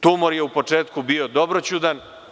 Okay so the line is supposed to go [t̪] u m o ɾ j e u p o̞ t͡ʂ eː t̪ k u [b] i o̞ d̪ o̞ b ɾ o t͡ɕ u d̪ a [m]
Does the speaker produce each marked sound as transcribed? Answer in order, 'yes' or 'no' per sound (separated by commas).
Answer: yes, yes, no